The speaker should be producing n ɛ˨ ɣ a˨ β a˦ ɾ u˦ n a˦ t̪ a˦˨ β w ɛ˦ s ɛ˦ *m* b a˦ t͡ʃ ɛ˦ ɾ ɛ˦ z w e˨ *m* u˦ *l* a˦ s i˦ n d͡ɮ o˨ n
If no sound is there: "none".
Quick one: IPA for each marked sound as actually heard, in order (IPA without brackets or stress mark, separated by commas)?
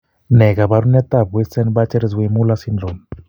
n, m, l